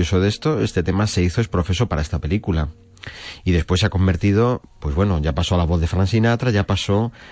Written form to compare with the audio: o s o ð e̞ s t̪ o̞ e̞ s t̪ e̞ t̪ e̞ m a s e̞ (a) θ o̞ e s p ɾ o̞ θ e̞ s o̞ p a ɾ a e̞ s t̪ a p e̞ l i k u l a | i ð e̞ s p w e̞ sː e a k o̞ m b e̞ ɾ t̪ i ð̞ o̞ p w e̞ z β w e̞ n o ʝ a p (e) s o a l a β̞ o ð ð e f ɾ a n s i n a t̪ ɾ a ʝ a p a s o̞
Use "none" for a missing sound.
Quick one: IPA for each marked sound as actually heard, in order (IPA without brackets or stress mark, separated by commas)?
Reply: i, a